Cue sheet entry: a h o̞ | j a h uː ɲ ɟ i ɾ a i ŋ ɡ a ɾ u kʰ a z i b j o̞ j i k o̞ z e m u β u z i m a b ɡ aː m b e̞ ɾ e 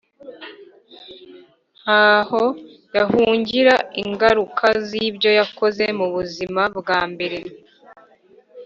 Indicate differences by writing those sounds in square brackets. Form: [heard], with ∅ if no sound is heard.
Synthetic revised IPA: a h o̞ | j a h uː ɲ ɟ i ɾ a i ŋ ɡ a ɾ u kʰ a z i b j o̞ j [a] k o̞ z e m u β u z i m a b ɡ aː m b e̞ ɾ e